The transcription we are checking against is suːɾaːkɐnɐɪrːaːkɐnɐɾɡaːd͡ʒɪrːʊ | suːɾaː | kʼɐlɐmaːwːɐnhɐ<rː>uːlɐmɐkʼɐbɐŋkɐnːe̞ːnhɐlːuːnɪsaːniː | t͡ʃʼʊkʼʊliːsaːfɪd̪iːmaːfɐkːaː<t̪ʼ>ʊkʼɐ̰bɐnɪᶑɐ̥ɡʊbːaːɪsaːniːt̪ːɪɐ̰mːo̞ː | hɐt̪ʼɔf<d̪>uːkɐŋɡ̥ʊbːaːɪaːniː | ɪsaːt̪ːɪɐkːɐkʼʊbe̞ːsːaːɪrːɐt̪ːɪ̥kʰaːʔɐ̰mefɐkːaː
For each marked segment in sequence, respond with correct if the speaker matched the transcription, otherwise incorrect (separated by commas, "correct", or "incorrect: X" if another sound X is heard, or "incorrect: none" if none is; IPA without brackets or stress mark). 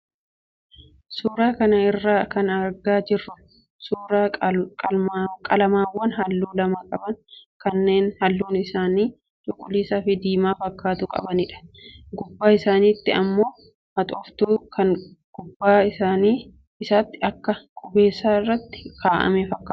incorrect: lː, incorrect: t̪, incorrect: t̪